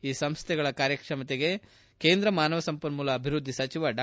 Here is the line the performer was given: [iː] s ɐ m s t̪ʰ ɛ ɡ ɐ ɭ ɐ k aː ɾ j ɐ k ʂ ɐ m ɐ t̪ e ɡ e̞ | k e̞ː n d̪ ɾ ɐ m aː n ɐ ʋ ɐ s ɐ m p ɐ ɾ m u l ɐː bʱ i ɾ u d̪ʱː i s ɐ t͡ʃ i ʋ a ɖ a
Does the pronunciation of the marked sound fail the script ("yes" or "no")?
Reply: no